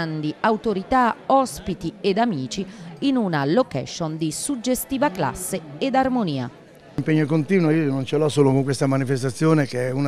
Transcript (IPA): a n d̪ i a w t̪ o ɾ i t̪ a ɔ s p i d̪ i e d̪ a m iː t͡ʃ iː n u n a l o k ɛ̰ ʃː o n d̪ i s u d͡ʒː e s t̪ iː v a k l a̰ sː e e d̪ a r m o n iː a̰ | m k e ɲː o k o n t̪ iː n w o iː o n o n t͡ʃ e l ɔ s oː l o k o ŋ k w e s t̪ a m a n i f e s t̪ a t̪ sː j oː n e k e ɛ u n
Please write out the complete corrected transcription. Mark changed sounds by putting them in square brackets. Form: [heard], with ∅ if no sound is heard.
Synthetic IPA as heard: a n d̪ i a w t̪ o ɾ i t̪ a ɔ s p i [t̪] i e d̪ a m iː t͡ʃ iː n u n a l o k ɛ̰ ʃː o n d̪ i s u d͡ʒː e s t̪ iː v a k l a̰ sː e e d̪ a r m o n iː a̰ | m [p] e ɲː o k o n t̪ iː n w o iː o n o n t͡ʃ e l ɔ s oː l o k o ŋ k w e s t̪ a m a n i f e s t̪ a t̪ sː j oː n e k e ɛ u n